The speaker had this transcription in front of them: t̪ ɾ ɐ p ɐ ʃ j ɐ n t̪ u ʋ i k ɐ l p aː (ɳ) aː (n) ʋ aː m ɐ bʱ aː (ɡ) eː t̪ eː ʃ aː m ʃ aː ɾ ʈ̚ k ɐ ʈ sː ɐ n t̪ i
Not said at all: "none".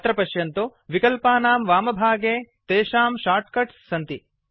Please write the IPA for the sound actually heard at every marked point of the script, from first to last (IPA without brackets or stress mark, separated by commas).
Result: n, m, ɡ